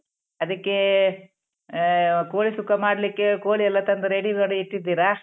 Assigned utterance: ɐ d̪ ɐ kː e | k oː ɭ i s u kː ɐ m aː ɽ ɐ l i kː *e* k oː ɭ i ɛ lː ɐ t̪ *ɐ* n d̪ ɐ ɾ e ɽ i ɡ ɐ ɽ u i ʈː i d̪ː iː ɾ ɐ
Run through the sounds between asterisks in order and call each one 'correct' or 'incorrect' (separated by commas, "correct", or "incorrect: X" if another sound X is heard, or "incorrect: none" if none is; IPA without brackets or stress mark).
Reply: correct, correct